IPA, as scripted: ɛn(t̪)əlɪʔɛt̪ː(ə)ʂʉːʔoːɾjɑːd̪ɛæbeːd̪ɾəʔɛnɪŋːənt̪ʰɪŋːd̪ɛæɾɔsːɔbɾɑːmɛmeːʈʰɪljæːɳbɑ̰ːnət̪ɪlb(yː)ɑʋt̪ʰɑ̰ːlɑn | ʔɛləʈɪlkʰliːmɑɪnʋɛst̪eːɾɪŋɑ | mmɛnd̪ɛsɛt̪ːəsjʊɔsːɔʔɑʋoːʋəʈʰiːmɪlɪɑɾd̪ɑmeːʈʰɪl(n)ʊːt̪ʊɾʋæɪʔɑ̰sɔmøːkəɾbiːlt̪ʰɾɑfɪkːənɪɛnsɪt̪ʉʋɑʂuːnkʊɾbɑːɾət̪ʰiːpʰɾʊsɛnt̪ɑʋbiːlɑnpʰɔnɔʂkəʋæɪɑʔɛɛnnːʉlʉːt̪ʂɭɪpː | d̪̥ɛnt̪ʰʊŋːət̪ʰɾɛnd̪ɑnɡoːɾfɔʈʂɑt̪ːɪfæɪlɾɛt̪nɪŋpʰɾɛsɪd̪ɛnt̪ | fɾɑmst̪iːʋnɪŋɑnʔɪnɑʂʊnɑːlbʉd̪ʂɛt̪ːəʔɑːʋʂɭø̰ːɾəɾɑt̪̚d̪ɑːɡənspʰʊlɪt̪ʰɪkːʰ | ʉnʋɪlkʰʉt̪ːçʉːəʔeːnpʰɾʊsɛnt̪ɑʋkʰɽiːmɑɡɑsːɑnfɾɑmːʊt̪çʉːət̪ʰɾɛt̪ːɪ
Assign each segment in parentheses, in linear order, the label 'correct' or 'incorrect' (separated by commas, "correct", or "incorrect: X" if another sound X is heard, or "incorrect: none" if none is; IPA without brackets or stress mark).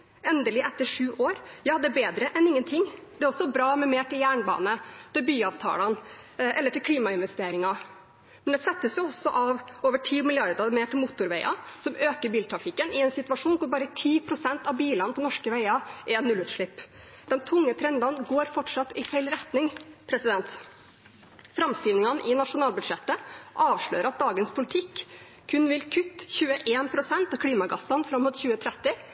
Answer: incorrect: d̪, correct, correct, incorrect: m